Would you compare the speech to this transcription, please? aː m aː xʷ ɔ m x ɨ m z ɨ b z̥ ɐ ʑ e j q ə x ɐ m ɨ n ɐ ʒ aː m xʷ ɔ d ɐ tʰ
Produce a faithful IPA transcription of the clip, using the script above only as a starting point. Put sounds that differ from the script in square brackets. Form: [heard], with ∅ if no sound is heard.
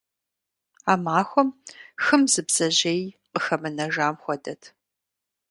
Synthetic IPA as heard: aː m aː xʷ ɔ m x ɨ m z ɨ b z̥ ɐ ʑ e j q ə x ɐ m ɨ n ɐ ʒ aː m xʷ ɔ d ɐ tʰ

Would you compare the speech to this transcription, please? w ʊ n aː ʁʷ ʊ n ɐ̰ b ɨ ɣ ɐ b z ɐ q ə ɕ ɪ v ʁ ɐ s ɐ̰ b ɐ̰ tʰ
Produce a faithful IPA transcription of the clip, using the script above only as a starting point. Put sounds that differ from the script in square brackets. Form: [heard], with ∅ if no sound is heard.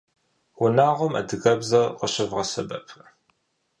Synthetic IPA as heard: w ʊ n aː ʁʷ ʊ [m] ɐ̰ [d] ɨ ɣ ɐ b z ɐ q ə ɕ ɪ v ʁ ɐ s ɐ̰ b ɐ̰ [pʰ]

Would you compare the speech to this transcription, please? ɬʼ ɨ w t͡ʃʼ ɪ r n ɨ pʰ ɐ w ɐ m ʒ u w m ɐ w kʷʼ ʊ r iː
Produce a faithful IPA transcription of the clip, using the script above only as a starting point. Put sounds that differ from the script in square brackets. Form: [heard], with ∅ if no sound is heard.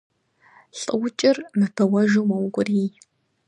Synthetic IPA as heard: ɬʼ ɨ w t͡ʃʼ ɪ r n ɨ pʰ ɐ w ɐ [∅] ʒ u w m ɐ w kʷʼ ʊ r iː

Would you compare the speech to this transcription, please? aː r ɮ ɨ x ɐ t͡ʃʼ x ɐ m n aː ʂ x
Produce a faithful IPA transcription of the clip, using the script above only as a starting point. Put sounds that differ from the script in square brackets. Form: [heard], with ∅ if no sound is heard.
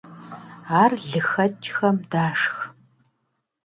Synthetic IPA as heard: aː r ɮ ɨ x ɐ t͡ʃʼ x ɐ m [d] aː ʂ x

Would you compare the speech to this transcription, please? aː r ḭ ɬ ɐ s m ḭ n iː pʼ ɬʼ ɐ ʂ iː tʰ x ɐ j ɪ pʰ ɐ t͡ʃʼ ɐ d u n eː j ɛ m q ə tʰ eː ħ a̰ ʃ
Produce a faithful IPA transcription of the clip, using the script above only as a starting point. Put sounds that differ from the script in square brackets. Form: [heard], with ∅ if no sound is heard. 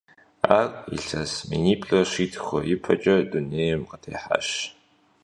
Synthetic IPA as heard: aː r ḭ ɬ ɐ s m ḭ n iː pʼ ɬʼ ɐ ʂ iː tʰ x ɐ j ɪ pʰ ɐ t͡ʃʼ ɐ d u n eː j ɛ m q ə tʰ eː ħ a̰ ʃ

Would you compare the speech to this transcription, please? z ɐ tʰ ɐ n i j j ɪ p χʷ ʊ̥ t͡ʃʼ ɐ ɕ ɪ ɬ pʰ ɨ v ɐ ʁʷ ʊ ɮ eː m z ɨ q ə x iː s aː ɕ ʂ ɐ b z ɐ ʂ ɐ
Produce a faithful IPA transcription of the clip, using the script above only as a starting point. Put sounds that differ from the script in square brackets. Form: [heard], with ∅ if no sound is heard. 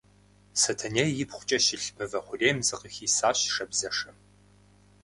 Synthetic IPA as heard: [s] ɐ tʰ ɐ n [e] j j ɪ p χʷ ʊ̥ t͡ʃʼ ɐ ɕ ɪ ɬ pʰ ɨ v ɐ [χʷ] ʊ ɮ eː m z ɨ q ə x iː s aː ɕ ʂ ɐ b z ɐ ʂ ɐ

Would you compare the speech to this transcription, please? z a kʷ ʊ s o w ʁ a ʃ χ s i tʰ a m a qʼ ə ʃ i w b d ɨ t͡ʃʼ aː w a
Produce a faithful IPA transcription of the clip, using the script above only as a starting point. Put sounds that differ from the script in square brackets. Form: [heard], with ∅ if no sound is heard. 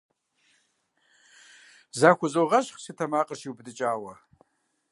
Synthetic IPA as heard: z a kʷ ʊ [z] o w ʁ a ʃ χ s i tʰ a m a qʼ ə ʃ i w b d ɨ t͡ʃʼ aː w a

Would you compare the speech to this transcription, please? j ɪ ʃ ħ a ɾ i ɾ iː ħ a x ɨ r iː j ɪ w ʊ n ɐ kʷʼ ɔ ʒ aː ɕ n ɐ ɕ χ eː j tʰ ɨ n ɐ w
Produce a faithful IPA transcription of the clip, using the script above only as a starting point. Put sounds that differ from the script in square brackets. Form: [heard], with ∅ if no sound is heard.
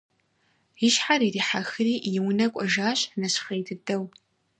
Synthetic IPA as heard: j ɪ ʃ ħ a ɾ i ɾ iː ħ a x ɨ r iː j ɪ w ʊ n ɐ kʷʼ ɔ ʒ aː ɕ n ɐ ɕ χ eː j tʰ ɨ [d] ɐ w

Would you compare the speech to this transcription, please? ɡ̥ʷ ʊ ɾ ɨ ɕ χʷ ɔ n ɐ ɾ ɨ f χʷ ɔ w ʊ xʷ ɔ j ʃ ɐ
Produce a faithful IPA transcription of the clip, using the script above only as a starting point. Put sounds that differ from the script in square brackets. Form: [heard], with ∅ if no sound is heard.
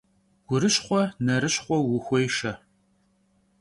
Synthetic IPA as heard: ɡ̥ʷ ʊ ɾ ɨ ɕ χʷ ɔ n ɐ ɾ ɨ [ɕ] χʷ ɔ w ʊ xʷ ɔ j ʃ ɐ

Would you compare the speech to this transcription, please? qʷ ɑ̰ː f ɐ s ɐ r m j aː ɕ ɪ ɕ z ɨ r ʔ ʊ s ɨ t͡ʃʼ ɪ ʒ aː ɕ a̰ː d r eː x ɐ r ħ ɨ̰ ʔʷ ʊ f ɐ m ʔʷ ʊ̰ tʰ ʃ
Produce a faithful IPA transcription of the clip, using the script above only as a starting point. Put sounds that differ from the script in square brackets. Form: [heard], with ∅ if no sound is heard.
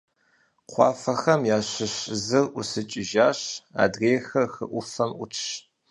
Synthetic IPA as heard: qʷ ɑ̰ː f ɐ [x] ɐ [∅] m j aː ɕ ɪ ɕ z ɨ r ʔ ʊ s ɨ t͡ʃʼ ɪ ʒ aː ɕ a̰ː d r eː x ɐ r [x] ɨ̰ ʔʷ ʊ f ɐ m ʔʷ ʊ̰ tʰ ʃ

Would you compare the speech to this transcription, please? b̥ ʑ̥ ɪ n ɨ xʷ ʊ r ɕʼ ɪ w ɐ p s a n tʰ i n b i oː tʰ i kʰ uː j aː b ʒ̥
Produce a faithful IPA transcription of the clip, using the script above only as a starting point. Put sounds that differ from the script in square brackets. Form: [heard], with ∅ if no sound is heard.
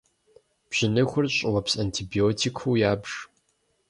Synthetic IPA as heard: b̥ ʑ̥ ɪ n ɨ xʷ ʊ r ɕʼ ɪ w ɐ p s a n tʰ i [∅] b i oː tʰ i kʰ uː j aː b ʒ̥

